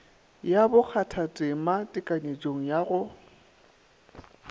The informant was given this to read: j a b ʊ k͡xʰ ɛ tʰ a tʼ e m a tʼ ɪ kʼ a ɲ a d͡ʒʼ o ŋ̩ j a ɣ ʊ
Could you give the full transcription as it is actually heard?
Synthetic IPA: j a b ʊ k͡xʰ a tʰ a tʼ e m a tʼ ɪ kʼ a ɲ e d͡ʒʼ o ŋ̩ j a ɣ ʊ